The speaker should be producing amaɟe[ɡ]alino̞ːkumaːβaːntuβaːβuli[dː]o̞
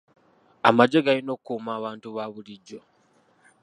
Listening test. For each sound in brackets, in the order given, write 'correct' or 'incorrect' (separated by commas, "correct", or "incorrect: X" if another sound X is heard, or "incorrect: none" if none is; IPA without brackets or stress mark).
correct, incorrect: ɟː